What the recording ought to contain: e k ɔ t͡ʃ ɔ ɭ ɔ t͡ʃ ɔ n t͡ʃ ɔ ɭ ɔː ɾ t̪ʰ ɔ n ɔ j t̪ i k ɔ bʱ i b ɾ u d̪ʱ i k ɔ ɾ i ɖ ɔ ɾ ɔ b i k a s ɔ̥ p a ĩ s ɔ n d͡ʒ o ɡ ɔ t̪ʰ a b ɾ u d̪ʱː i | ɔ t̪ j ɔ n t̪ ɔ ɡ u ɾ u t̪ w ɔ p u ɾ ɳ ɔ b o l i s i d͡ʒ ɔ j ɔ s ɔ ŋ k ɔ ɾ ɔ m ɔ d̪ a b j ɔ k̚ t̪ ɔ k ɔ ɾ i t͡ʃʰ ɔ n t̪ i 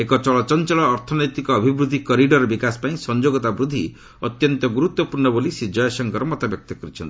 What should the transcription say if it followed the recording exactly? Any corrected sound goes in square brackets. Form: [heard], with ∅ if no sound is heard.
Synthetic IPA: e k ɔ t͡ʃ ɔ ɭ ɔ t͡ʃ ɔ n t͡ʃ ɔ ɭ ɔː ɾ t̪ʰ ɔ n ɔ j t̪ i k [ɔː] bʱ i b ɾ u d̪ʱ i k ɔ ɾ i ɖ ɔ ɾ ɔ b i k a s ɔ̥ p a ĩ s ɔ n d͡ʒ o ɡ ɔ [t̪] a b ɾ u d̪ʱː i | ɔ t̪ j ɔ n t̪ ɔ ɡ u ɾ u t̪ w ɔ p u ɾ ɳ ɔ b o l i s i d͡ʒ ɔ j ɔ s ɔ ŋ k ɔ ɾ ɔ m ɔ [t̪] a b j ɔ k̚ t̪ ɔ k ɔ ɾ i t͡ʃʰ ɔ n t̪ i